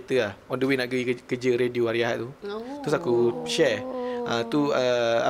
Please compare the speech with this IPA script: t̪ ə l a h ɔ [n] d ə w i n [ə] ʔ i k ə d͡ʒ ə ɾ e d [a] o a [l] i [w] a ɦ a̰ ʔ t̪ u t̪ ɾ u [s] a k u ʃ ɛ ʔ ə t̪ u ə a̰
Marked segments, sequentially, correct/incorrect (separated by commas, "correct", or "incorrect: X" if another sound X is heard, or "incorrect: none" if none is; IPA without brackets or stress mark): correct, incorrect: a, incorrect: i, incorrect: ɾ, incorrect: none, correct